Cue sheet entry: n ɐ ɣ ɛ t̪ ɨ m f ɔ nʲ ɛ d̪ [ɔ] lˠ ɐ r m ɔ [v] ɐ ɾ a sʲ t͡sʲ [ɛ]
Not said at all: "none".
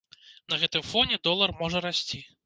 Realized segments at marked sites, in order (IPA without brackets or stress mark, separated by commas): ɔ, ʐ, i